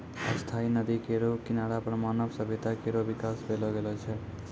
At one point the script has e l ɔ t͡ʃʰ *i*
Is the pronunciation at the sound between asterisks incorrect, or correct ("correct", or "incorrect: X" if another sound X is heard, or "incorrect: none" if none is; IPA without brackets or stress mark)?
incorrect: ɛ